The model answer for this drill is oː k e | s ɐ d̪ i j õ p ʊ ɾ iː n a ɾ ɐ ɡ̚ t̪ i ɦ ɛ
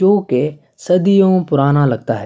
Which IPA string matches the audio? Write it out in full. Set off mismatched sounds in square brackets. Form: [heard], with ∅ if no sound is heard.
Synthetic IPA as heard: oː k e | s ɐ d̪ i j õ p ʊ ɾ [aː] n a [l] ɐ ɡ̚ t̪ [a] ɦ ɛ